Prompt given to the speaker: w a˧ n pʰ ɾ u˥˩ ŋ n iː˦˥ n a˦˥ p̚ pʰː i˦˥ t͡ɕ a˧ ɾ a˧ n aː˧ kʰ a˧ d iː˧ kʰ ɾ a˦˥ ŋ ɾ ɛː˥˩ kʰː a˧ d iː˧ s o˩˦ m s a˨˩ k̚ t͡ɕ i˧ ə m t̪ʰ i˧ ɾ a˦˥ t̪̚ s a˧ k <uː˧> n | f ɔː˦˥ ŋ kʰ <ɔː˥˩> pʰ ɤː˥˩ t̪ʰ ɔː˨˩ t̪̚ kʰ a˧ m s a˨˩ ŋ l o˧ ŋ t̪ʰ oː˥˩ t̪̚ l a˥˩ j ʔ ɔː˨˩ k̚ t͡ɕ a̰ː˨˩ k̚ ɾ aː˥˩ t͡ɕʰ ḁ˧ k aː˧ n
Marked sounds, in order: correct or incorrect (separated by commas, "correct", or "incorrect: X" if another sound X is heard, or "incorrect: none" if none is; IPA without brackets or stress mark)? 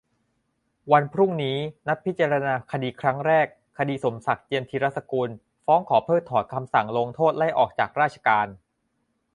correct, incorrect: ɔː˩˦